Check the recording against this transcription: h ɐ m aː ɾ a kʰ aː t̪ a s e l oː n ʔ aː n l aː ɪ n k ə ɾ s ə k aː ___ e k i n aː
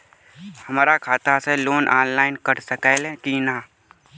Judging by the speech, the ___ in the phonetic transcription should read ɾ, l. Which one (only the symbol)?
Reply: l